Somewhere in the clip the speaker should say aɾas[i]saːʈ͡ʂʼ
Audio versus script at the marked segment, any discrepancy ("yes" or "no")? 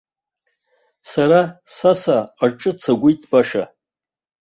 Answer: yes